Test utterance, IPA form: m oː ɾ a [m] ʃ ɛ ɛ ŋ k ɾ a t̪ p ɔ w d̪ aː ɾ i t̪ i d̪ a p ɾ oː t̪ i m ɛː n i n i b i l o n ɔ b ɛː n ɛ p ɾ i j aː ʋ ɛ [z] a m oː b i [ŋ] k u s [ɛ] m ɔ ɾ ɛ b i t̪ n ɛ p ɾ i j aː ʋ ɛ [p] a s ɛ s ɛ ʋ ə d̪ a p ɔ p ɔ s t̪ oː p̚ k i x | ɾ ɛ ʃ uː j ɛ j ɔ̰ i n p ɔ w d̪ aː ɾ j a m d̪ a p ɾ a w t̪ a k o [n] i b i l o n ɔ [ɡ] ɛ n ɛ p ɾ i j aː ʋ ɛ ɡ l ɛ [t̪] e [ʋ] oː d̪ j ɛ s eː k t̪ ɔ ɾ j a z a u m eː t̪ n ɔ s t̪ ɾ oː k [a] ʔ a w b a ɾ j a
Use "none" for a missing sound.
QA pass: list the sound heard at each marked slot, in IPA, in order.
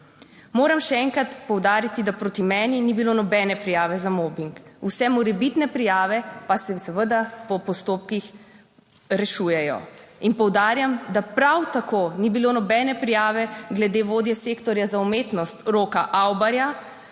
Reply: m, z, ŋ, ɛ, p, n, b, d̪, ʋ, a

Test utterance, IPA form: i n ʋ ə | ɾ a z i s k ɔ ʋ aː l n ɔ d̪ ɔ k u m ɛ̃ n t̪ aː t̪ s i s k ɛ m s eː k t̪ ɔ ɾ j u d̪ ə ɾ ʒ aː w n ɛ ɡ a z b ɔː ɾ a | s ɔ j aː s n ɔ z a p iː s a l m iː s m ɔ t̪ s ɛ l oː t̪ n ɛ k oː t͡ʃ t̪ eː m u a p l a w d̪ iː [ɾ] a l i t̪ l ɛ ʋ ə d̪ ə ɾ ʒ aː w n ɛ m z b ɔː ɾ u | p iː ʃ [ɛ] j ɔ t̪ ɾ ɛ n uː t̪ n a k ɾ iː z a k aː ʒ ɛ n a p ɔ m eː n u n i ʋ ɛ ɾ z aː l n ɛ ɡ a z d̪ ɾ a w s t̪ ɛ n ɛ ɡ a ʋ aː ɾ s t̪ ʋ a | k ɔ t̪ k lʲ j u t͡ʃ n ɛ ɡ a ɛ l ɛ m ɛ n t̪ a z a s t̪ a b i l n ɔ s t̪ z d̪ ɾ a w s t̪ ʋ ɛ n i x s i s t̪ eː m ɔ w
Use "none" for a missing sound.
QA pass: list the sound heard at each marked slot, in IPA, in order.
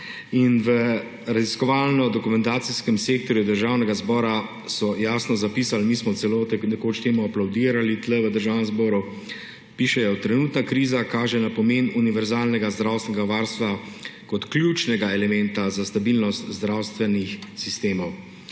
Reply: ɾ, ɛ

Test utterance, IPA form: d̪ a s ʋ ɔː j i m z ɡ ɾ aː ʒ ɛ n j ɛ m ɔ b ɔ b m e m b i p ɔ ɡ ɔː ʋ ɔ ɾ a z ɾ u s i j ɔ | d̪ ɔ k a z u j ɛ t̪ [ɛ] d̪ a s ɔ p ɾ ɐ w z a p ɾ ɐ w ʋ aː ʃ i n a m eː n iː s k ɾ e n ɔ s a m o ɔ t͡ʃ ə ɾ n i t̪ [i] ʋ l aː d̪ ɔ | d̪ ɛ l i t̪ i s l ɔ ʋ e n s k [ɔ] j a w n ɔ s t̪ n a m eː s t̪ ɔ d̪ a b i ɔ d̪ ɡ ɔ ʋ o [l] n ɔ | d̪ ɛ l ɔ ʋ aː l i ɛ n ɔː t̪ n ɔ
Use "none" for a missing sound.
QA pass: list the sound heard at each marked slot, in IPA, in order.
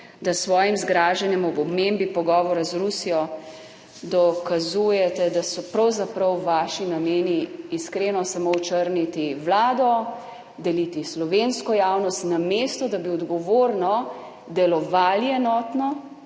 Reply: ɛ, i, ɔ, ɾ

